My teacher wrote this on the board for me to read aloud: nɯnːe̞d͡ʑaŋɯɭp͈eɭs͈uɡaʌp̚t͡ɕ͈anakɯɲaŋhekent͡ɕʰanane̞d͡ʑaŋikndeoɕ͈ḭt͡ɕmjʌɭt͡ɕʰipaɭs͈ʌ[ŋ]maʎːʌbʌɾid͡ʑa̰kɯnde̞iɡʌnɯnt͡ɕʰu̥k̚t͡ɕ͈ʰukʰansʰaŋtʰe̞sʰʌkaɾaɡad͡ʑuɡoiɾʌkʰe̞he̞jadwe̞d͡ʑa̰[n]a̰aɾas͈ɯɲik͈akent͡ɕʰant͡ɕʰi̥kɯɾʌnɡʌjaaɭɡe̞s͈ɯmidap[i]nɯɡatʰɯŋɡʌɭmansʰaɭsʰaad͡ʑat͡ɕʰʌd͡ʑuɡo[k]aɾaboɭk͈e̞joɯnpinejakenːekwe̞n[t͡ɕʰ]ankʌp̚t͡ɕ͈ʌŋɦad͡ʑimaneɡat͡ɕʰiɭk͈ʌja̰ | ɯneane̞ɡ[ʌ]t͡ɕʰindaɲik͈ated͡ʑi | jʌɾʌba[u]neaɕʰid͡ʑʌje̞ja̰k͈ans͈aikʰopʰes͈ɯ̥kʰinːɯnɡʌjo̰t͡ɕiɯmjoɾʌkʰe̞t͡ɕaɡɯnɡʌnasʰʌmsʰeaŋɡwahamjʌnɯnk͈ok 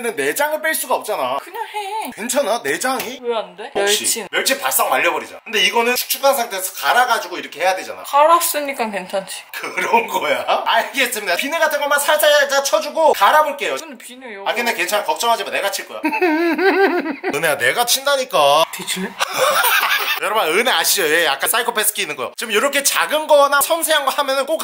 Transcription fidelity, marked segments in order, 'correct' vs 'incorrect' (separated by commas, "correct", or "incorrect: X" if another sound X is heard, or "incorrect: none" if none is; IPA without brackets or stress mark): correct, correct, correct, correct, correct, incorrect: a, incorrect: ɯ